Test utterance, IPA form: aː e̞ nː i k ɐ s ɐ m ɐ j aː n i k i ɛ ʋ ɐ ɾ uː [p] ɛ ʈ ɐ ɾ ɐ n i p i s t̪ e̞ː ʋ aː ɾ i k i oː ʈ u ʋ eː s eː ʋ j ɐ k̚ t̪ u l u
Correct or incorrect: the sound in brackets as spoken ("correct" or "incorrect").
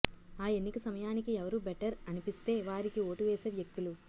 incorrect